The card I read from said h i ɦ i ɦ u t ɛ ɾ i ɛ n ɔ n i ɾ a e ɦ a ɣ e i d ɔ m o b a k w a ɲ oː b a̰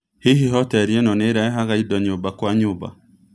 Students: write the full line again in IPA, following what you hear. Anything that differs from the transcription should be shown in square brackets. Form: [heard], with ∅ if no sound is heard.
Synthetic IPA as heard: h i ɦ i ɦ [ɔ] t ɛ ɾ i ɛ n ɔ n [e] ɾ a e ɦ a ɣ [a] i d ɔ [ɲ] o b a k w a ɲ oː b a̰